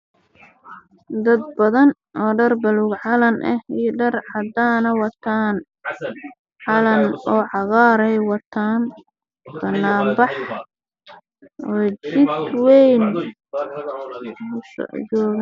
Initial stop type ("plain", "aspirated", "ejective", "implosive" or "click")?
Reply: plain